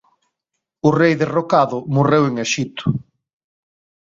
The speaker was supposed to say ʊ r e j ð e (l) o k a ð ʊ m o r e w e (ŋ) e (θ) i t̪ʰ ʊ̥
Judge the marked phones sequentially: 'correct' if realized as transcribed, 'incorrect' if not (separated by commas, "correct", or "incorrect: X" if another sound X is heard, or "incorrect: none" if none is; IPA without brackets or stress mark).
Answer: incorrect: r, correct, incorrect: ʃ